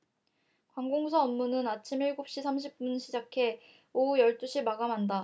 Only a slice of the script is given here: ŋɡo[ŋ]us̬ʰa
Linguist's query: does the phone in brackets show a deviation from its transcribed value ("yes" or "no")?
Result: no